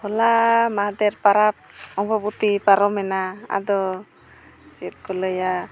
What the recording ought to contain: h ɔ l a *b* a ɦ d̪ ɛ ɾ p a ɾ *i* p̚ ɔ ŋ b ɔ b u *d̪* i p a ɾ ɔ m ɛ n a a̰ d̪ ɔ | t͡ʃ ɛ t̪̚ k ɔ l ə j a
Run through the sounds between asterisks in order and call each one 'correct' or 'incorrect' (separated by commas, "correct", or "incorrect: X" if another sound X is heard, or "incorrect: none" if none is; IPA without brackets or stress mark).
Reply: incorrect: m, incorrect: a, incorrect: t̪